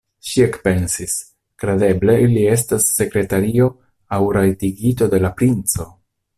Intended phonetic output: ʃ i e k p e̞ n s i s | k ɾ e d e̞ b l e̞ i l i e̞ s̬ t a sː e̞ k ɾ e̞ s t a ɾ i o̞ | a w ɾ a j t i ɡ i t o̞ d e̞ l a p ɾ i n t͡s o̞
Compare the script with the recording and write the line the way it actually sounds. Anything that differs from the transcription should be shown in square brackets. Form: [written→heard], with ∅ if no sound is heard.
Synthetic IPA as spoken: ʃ i e k p e̞ n s i s | k ɾ e d e̞ b l e̞ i l i e̞ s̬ t a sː e̞ k ɾ e̞ [s→∅] t a ɾ i o̞ | a w ɾ a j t i ɡ i t o̞ d e̞ l a p ɾ i n t͡s o̞